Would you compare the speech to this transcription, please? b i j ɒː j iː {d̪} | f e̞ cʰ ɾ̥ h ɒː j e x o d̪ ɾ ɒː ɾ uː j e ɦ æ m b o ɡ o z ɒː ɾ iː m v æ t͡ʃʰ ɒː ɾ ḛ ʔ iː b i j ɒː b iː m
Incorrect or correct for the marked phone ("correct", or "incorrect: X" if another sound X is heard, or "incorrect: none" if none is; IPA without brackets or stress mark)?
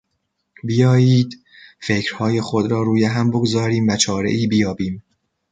correct